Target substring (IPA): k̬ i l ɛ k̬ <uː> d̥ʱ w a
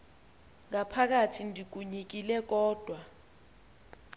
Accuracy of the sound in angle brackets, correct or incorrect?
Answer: incorrect